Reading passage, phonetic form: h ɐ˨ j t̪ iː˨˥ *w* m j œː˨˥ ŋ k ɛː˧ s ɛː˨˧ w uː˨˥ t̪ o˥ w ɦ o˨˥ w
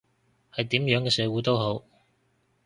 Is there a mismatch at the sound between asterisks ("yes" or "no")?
yes